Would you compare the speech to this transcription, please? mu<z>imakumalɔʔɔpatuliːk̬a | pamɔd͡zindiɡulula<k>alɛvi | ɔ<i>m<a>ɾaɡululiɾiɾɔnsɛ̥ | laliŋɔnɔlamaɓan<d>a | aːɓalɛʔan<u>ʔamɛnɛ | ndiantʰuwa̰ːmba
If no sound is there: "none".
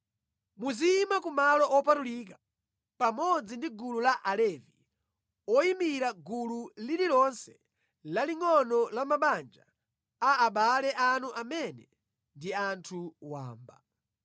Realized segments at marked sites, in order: z, ʔ, i, i, d͡ʒ, u

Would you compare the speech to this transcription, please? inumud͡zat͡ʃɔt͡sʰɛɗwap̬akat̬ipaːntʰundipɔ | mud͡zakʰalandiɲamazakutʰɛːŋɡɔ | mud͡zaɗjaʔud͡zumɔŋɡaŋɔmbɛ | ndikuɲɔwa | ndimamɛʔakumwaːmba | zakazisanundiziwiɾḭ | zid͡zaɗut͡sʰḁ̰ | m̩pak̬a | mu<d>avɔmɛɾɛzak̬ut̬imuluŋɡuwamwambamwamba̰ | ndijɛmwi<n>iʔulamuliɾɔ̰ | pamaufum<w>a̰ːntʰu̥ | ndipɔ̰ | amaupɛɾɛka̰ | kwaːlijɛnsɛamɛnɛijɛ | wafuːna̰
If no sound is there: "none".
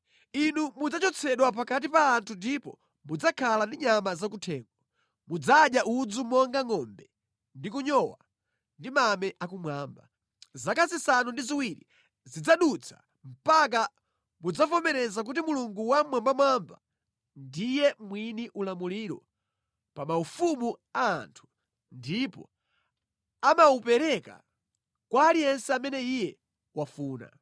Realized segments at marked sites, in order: d͡z, n, u

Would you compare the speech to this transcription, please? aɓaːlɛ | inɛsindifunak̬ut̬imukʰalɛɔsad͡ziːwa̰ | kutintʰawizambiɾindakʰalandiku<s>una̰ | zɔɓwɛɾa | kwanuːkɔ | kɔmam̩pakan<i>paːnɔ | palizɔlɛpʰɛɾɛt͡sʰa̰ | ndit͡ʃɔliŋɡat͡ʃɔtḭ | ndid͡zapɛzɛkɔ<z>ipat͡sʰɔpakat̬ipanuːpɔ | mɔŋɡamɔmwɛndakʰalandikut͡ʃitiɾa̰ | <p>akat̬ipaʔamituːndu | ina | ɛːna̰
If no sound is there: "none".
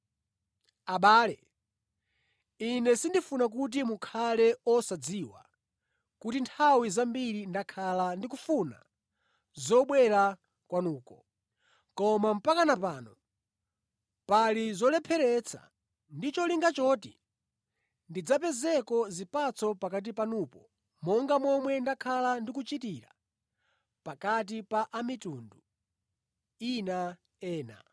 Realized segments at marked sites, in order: f, a, z, p

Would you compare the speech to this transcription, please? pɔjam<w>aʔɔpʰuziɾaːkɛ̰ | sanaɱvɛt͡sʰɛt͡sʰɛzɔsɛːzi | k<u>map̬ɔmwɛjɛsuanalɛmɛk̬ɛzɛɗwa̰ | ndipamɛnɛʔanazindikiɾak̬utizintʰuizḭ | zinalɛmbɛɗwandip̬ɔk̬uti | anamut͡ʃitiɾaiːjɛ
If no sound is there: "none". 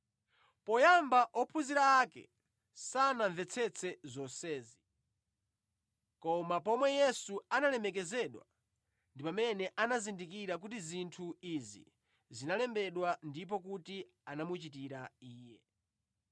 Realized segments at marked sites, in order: b, ɔ

